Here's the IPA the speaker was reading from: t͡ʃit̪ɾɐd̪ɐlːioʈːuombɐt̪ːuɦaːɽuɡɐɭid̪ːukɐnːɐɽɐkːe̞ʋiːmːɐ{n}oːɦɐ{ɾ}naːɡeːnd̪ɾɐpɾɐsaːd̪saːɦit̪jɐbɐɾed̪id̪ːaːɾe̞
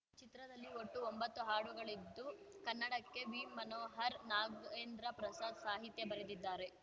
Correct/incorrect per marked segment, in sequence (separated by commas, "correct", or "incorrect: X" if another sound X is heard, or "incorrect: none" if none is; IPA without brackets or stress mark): correct, correct